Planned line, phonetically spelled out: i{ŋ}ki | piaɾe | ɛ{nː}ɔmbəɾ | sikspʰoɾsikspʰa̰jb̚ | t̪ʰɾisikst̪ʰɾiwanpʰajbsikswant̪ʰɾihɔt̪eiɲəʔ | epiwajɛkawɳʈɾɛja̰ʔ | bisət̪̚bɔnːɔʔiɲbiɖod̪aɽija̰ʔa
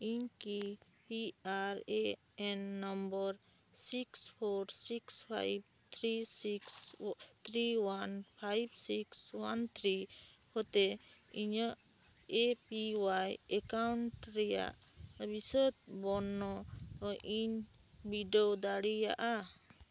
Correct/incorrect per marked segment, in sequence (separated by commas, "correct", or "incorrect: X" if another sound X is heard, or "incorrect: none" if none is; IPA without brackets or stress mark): incorrect: ɲ, correct